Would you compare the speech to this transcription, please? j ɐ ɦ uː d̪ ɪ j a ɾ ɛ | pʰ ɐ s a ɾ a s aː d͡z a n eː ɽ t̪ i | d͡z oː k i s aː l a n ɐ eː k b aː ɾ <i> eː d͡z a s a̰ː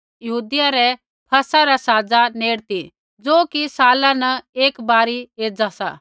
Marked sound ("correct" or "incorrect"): correct